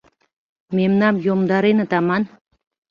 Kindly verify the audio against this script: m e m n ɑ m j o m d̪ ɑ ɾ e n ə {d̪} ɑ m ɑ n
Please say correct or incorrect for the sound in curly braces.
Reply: incorrect